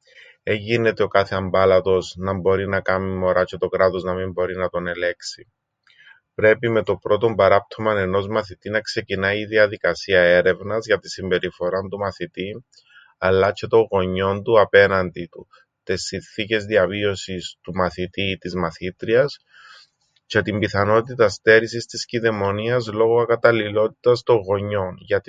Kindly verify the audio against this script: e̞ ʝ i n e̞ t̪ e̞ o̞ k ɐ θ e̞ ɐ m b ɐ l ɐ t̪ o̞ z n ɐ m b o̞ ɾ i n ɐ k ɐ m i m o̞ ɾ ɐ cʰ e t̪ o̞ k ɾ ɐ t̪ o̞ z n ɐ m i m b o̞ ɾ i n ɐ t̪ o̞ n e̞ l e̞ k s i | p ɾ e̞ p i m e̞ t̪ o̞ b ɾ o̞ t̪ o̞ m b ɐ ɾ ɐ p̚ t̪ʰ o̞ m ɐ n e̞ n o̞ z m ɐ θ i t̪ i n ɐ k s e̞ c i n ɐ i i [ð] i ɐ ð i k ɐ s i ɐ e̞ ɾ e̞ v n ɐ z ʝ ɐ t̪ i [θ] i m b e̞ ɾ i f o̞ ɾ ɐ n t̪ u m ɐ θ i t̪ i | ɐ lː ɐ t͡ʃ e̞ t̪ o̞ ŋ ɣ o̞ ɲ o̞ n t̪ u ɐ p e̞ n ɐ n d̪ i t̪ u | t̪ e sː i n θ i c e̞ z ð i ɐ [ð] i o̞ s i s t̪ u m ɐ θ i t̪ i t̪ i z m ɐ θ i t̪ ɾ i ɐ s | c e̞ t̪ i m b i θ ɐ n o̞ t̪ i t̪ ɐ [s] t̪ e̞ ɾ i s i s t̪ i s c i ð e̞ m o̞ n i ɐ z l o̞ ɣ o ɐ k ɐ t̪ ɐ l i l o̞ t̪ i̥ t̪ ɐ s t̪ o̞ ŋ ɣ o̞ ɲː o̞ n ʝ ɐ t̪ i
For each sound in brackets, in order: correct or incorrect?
correct, incorrect, incorrect, correct

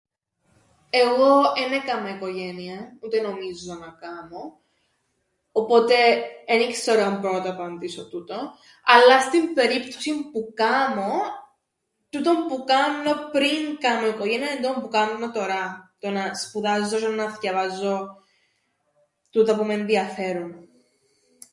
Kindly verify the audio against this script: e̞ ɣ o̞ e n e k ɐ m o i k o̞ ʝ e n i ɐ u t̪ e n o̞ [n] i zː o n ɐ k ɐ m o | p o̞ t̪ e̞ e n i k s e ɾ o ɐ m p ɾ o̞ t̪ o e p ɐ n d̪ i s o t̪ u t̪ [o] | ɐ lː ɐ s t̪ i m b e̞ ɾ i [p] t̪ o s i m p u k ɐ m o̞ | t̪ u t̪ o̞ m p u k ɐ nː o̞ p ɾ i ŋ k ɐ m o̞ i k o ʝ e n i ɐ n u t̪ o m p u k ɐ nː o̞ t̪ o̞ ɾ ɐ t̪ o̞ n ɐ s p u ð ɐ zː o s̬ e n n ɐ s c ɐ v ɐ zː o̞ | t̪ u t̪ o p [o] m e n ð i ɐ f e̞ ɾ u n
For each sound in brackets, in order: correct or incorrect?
incorrect, correct, correct, incorrect

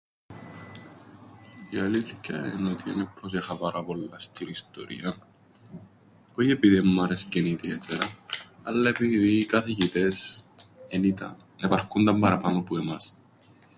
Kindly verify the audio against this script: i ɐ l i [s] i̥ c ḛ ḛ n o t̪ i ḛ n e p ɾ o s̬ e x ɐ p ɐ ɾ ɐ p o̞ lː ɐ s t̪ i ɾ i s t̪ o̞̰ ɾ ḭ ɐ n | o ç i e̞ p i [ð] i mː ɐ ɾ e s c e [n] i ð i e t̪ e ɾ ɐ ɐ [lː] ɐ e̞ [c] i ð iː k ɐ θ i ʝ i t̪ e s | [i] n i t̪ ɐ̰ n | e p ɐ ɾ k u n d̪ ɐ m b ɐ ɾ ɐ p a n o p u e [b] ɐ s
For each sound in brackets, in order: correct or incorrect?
incorrect, correct, correct, correct, incorrect, incorrect, incorrect

